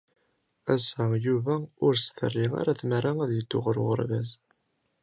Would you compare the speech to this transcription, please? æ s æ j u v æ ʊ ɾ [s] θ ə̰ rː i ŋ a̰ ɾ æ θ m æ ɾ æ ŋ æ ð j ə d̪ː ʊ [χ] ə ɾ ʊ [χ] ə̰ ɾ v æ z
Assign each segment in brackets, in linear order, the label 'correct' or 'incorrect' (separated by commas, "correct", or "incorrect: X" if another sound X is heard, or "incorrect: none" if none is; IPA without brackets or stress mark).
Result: correct, incorrect: ʁ, incorrect: ʁ